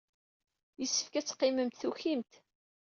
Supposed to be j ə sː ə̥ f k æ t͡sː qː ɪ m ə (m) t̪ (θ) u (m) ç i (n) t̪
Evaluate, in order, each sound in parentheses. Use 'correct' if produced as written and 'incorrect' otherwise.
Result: correct, correct, incorrect, incorrect

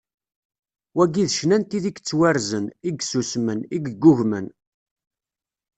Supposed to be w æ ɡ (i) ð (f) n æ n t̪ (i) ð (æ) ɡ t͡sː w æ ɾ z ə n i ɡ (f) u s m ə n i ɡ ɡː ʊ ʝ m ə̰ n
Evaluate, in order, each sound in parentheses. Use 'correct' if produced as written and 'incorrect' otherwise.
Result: correct, incorrect, correct, incorrect, incorrect

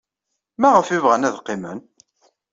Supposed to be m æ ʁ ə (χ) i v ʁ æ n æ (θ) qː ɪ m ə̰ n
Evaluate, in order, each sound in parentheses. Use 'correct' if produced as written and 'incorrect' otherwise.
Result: incorrect, incorrect

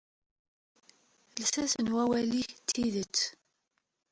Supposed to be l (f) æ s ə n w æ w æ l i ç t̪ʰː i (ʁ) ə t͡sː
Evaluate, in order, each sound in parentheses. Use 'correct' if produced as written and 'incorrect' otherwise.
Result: incorrect, incorrect

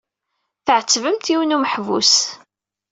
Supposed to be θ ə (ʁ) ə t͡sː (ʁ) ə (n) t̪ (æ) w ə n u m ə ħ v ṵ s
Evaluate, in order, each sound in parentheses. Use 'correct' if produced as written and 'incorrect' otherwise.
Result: incorrect, incorrect, incorrect, incorrect

